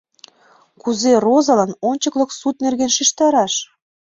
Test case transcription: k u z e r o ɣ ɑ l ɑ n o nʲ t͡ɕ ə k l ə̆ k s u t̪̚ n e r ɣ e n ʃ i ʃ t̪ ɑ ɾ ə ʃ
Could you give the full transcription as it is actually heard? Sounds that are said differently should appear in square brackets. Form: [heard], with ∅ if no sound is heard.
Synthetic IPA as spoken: k u z e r o [z] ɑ l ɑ n o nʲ t͡ɕ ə k l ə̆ k s u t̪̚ n e r ɣ e n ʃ i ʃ t̪ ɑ ɾ [ɑ] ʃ